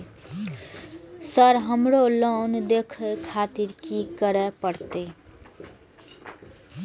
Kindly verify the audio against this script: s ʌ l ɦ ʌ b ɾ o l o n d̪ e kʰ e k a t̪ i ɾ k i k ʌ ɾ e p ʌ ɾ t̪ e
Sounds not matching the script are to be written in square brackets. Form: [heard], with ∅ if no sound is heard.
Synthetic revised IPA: s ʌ [ɾ] ɦ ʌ [m] ɾ o l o n d̪ e kʰ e [kʰ] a t̪ i ɾ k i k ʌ ɾ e p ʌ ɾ t̪ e